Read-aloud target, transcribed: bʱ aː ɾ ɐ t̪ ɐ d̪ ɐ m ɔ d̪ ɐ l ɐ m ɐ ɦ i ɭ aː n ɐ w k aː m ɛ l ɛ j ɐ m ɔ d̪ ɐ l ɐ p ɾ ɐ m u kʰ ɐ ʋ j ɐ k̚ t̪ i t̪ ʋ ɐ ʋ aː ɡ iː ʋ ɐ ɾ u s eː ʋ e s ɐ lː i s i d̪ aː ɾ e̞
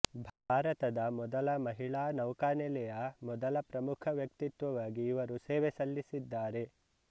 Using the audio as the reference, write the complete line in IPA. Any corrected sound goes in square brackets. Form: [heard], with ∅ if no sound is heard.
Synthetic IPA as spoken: bʱ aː ɾ ɐ t̪ ɐ d̪ ɐ m ɔ d̪ ɐ l ɐ m ɐ ɦ i ɭ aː n ɐ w k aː [n] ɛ l ɛ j ɐ m ɔ d̪ ɐ l ɐ p ɾ ɐ m u kʰ ɐ ʋ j ɐ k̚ t̪ i t̪ ʋ ɐ ʋ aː ɡ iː ʋ ɐ ɾ u s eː ʋ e s ɐ lː i s i [d̪ː] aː ɾ e̞